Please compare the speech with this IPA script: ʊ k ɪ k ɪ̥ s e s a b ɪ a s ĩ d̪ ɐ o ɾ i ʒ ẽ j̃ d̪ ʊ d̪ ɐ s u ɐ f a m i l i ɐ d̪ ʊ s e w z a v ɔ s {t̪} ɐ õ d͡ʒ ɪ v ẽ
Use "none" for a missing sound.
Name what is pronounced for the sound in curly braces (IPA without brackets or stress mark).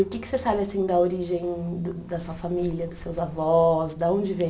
d̪